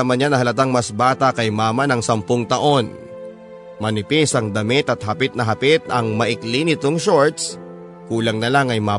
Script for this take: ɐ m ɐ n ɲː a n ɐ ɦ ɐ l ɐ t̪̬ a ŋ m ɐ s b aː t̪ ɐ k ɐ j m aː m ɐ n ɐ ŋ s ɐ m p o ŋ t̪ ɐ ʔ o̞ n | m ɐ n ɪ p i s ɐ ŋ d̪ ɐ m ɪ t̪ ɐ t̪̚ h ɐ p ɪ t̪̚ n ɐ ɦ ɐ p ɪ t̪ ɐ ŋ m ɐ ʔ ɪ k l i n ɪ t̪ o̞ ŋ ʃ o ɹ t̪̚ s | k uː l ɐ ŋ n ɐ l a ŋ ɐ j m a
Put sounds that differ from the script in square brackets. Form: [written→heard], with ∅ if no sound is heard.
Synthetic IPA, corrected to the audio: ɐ m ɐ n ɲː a n ɐ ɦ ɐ l ɐ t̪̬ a ŋ m ɐ s b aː t̪ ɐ k ɐ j m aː m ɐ n ɐ ŋ s ɐ m p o ŋ t̪ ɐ ʔ o̞ n | m ɐ n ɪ p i s ɐ ŋ d̪ ɐ m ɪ t̪ ɐ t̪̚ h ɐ p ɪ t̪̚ n ɐ ɦ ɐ p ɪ t̪ ɐ ŋ m ɐ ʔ ɪ k l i n ɪ t̪ o̞ ŋ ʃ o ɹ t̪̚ s | k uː l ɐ ŋ n ɐ l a ŋ ɐ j m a